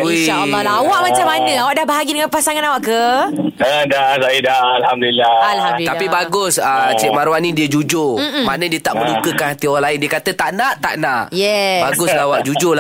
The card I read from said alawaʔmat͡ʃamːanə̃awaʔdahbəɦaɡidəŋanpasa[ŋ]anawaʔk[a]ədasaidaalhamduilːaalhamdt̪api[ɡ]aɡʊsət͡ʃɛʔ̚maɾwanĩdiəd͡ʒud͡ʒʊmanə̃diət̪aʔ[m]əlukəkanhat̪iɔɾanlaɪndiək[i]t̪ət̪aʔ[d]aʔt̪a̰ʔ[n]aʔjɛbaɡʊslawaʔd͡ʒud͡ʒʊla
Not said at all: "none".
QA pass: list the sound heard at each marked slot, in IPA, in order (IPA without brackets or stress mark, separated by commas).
ŋ, ə, b, m, a, n, n